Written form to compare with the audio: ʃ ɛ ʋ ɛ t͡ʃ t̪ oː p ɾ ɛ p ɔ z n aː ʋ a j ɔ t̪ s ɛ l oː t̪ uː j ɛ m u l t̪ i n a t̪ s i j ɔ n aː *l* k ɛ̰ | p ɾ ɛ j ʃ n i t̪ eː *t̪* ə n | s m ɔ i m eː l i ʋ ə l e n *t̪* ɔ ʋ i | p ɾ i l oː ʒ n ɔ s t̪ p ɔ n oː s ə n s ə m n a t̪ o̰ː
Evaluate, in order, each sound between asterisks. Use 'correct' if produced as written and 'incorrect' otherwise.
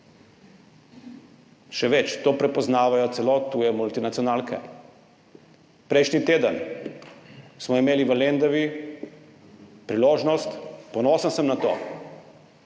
correct, incorrect, incorrect

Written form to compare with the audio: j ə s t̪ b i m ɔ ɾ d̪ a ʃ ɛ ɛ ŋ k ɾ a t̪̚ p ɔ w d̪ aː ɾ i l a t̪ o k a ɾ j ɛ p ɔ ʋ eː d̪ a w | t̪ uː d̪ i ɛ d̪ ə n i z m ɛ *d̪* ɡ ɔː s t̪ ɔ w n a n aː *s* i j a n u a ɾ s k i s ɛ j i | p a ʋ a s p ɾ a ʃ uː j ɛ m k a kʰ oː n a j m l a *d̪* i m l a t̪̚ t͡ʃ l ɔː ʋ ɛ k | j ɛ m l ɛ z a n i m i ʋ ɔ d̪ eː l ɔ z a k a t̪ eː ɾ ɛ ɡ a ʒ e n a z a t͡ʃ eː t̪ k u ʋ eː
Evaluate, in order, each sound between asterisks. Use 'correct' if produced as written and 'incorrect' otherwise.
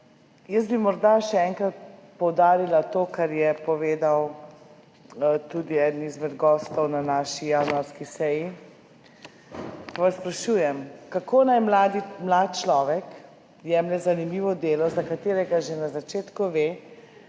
correct, incorrect, correct

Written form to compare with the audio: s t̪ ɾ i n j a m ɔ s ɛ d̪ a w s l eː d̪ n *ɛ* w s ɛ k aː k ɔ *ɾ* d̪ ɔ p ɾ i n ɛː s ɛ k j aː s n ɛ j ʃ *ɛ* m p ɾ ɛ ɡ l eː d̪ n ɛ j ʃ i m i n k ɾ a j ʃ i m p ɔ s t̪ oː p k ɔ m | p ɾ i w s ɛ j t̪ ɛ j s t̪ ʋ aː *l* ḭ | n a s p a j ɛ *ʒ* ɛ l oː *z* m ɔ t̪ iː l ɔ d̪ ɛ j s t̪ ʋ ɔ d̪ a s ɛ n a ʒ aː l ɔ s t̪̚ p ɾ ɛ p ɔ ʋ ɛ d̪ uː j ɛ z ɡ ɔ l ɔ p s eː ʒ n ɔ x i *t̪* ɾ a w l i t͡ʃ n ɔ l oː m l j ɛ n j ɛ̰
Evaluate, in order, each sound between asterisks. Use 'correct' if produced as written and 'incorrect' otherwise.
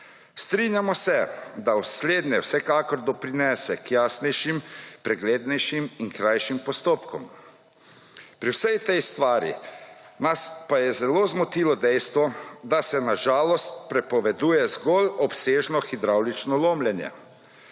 correct, correct, incorrect, incorrect, incorrect, correct, incorrect

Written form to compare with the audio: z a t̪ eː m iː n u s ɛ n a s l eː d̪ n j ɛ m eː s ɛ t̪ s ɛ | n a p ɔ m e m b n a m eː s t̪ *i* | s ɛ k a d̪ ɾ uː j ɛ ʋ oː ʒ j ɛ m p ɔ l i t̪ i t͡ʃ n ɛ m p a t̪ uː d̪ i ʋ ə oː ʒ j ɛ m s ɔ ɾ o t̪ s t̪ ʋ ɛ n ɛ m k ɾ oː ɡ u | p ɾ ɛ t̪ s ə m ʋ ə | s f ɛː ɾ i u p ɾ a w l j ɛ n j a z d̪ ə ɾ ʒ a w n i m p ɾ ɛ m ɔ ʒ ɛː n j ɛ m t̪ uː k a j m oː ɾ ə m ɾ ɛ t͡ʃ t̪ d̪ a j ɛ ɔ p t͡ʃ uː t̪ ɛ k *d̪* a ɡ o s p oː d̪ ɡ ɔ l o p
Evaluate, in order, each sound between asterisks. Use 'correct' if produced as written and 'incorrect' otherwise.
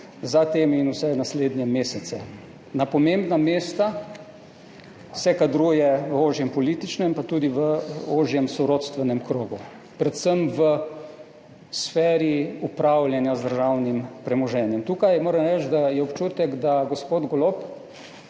incorrect, correct

